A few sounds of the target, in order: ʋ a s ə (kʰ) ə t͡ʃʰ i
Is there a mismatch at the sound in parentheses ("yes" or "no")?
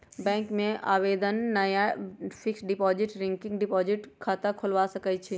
yes